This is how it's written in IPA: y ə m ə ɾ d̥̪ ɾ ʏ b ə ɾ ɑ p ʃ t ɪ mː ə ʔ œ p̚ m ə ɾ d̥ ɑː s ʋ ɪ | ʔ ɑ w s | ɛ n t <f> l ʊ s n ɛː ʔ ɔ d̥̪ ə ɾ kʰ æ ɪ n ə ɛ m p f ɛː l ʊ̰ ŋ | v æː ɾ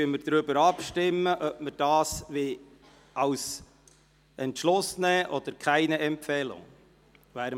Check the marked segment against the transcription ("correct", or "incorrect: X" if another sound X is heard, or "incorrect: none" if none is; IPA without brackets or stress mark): incorrect: ʃ